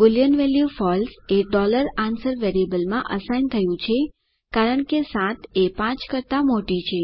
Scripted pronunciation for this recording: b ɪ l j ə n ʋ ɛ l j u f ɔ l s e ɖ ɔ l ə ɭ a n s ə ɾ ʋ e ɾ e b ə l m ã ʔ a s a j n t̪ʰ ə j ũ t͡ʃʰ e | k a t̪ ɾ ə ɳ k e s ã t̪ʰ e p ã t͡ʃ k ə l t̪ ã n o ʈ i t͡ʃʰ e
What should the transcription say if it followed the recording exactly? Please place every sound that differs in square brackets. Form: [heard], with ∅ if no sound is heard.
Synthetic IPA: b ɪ l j ə n ʋ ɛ l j u f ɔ l s e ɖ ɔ l ə [ɾ] a n s ə ɾ ʋ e ɾ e b ə l m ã ʔ [ə] s a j n t̪ʰ ə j ũ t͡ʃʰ e | k a [∅] ɾ ə ɳ k e s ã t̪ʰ e p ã t͡ʃ k ə [ɾ] t̪ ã [m] o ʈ i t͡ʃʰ e